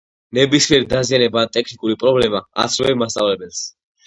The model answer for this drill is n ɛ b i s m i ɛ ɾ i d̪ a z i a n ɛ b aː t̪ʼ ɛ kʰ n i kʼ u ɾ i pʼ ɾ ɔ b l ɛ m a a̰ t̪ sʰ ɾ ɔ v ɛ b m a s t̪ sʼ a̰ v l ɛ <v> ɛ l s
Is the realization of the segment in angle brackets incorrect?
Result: yes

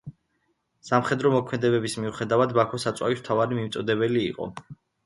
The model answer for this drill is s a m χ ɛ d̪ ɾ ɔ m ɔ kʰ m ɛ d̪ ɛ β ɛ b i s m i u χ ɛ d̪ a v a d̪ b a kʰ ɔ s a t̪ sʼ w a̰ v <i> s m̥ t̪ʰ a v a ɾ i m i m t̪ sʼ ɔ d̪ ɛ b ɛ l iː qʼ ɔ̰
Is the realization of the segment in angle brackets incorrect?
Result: no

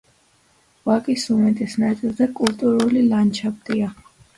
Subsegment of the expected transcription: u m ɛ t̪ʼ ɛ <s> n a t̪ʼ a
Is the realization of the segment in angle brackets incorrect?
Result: no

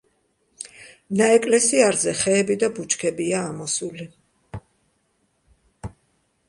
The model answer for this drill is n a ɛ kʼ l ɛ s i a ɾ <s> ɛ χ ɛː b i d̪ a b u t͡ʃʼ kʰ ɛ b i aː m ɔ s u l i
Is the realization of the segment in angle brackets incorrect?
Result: yes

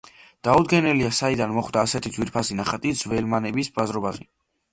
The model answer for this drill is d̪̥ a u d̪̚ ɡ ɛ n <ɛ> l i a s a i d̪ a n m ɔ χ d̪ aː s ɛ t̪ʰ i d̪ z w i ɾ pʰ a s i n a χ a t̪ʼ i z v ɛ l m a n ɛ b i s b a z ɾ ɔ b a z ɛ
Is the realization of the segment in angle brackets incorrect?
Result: no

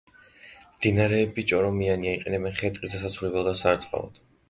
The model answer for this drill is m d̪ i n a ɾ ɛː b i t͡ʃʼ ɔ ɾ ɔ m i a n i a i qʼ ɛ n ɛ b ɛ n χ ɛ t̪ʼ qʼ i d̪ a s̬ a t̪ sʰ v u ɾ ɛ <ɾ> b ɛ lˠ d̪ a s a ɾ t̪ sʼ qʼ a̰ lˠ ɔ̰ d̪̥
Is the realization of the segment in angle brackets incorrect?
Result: yes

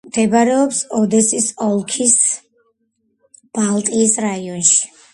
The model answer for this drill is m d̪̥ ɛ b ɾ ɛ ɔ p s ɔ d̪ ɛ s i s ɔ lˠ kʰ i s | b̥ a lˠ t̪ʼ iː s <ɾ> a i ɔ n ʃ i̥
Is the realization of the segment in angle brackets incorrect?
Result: no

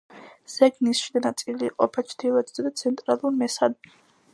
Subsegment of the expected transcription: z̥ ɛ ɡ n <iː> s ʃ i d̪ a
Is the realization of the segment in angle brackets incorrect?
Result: yes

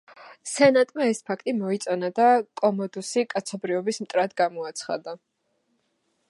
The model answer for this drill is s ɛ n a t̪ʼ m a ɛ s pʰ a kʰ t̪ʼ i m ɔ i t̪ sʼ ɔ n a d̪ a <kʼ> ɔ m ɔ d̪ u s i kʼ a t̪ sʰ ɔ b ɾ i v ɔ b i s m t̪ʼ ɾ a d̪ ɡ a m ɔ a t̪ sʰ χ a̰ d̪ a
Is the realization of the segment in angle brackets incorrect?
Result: no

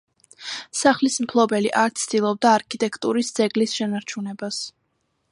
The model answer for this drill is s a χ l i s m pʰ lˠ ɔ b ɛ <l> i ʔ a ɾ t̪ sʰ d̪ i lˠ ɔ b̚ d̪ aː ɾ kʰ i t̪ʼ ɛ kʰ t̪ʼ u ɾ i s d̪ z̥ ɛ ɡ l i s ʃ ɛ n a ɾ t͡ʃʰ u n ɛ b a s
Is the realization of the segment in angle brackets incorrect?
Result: no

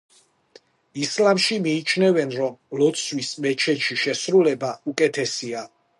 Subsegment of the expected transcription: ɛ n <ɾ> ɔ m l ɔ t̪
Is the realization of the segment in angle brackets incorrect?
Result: no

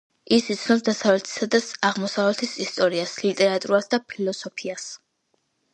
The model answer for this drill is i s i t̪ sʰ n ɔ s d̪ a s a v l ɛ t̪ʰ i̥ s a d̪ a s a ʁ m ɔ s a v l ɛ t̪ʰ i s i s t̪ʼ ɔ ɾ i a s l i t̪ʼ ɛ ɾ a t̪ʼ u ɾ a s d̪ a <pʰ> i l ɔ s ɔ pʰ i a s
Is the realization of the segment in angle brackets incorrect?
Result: no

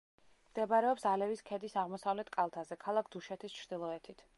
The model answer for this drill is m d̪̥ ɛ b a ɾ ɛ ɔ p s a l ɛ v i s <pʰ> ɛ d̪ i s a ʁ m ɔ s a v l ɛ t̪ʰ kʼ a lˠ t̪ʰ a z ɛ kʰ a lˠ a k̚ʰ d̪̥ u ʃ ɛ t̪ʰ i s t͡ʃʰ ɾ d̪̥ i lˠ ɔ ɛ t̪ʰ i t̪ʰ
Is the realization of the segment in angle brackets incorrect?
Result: yes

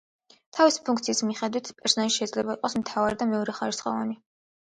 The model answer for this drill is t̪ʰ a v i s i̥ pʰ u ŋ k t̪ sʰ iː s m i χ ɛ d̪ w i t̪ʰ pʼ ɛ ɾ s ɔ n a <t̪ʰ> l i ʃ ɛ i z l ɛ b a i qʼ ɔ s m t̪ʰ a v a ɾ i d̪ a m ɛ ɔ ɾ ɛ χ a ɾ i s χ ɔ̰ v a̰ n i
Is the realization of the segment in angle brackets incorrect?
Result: yes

